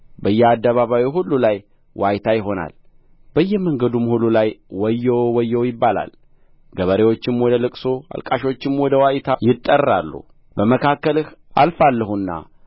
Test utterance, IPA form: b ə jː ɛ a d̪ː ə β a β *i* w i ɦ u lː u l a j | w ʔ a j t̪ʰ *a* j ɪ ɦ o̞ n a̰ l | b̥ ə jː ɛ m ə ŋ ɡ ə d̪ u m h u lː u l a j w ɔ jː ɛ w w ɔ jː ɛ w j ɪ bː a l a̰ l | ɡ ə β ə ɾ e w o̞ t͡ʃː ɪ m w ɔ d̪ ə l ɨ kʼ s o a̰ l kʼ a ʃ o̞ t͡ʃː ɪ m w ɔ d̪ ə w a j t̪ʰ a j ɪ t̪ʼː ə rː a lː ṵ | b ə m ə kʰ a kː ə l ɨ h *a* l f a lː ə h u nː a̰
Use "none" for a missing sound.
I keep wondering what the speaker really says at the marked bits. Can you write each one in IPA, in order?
a, a, a

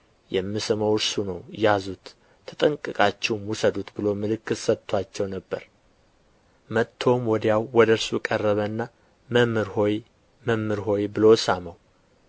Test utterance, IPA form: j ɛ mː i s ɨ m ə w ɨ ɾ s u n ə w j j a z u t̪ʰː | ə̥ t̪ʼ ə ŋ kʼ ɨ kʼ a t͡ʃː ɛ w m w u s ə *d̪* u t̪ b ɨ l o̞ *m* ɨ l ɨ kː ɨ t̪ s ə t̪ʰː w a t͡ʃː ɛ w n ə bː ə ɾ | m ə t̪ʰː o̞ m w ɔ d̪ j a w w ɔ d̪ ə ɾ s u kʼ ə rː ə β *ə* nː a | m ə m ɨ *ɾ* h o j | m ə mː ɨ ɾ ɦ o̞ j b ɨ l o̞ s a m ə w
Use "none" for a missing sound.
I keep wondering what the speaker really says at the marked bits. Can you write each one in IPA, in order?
d̪, m, ə, ɾ

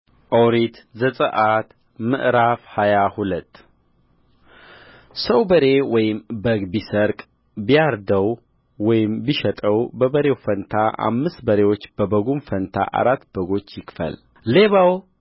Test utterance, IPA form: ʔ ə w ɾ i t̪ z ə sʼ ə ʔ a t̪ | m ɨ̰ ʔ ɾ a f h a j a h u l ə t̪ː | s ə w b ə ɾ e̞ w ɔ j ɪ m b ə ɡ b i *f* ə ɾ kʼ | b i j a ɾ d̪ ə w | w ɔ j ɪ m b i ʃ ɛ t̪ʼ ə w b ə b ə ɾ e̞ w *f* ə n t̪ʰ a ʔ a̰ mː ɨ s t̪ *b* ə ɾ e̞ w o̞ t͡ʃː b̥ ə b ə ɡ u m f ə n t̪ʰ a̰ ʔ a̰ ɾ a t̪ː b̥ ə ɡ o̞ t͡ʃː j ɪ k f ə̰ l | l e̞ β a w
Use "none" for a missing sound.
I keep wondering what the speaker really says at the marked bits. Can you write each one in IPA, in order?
s, f, b

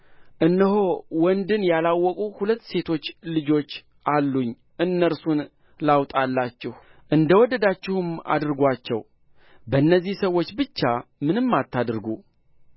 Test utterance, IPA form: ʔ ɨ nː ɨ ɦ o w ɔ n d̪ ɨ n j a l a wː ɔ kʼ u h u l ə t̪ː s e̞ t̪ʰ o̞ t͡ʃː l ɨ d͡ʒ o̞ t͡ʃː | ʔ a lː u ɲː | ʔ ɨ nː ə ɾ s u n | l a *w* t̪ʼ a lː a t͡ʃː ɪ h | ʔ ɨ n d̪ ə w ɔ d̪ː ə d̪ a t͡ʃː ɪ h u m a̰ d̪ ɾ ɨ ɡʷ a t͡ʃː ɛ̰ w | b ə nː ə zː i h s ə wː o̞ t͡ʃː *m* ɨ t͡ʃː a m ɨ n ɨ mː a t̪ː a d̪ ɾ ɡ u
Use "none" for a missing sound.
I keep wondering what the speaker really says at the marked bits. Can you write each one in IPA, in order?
w, b

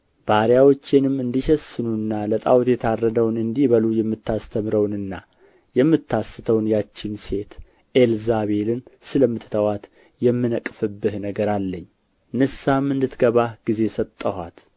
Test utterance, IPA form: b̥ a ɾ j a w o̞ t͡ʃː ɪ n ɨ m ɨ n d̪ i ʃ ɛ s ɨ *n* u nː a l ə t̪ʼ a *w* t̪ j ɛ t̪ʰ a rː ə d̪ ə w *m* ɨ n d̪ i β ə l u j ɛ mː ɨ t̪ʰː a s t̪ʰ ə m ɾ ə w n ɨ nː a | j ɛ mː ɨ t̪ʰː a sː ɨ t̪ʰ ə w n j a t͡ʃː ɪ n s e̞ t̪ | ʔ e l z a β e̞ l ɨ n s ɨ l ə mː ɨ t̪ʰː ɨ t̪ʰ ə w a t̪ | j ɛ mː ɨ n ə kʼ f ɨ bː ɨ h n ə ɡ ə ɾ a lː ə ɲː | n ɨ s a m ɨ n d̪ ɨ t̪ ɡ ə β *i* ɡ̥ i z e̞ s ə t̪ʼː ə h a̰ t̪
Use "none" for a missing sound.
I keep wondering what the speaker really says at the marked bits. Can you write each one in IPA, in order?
n, w, n, a

